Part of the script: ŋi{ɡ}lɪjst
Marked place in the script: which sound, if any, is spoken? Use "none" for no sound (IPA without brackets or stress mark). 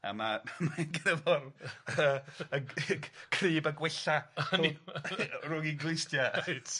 ɡ